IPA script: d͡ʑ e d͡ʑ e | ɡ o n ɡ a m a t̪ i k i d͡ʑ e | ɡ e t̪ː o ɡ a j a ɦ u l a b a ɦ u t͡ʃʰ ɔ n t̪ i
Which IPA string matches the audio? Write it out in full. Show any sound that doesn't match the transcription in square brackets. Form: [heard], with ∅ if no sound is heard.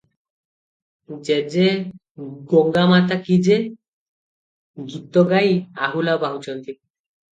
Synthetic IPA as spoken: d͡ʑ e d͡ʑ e | ɡ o [ŋ] ɡ a m a t̪ [a] k i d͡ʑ e | ɡ [i] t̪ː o ɡ a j a ɦ u l a b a ɦ u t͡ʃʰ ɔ n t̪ i